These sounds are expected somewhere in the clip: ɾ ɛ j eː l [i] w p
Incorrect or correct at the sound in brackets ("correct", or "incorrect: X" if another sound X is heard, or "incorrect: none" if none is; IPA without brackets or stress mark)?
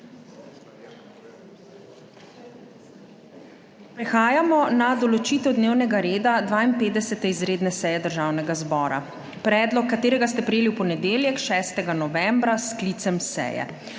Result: correct